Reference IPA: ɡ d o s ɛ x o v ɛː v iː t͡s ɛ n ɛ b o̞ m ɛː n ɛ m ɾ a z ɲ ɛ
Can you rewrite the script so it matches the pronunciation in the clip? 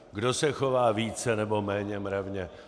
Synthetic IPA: ɡ d o s ɛ x o v aː v iː t͡s ɛ n ɛ b o̞ m ɛː ɲ ɛ m ɾ a v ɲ ɛ